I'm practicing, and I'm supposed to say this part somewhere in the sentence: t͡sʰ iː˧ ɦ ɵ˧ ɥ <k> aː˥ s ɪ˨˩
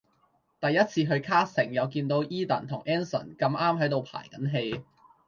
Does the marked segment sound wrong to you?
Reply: yes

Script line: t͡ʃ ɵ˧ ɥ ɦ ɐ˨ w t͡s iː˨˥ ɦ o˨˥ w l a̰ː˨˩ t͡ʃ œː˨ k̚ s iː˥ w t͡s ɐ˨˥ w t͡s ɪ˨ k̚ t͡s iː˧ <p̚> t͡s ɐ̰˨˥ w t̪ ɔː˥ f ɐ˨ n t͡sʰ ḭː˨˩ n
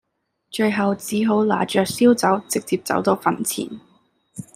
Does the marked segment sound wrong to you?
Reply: no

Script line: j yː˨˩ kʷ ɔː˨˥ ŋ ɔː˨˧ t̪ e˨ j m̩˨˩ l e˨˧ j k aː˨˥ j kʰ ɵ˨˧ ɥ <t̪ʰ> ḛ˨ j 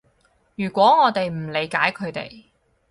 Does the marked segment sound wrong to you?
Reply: yes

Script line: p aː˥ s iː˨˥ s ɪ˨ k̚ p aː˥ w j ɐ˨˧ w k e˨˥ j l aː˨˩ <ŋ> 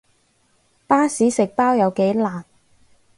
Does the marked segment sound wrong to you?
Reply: yes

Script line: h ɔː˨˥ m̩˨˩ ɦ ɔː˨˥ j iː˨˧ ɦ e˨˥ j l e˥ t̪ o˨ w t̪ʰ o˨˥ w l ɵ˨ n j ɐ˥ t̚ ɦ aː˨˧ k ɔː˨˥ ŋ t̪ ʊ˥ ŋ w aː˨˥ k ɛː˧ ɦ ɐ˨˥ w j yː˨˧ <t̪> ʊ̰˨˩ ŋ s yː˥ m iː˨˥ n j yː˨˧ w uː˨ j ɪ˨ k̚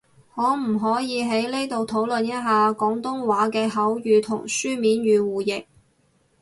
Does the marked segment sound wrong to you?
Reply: yes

